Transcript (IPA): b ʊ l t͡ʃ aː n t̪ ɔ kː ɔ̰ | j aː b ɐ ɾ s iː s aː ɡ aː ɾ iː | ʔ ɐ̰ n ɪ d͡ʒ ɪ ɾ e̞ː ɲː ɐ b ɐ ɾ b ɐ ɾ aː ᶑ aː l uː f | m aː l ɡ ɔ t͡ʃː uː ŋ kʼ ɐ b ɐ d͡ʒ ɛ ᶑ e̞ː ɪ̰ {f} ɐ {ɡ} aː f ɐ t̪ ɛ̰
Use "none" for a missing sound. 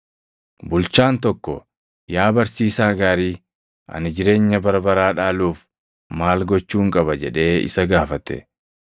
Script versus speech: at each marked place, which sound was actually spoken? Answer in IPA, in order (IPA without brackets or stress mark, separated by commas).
s, ɡ